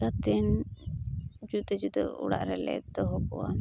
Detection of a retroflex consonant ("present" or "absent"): present